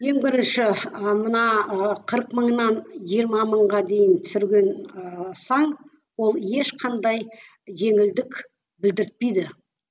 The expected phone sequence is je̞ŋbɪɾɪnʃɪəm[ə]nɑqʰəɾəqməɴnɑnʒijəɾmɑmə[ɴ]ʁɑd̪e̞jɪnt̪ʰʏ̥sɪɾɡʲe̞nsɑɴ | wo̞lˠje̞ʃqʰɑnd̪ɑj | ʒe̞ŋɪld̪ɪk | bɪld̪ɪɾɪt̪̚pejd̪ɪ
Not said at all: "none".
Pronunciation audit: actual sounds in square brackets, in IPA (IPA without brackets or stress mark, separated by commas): ə, ɴ